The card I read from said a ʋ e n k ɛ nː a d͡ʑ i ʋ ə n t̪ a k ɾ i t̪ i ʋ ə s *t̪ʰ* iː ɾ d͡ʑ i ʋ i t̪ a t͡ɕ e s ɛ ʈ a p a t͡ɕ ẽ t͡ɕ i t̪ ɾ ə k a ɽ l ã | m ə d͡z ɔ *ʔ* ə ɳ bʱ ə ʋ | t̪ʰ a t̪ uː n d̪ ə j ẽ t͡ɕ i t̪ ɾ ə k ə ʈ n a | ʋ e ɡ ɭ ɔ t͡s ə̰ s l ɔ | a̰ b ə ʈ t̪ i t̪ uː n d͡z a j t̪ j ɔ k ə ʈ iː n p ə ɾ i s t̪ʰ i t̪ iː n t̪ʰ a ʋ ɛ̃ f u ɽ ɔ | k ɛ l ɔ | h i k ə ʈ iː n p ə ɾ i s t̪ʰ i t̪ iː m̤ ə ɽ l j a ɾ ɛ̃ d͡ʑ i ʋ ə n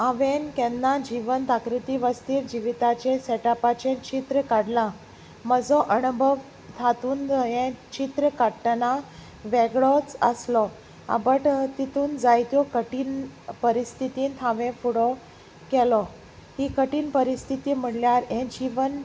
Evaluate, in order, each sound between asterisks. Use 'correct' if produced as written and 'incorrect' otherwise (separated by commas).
incorrect, correct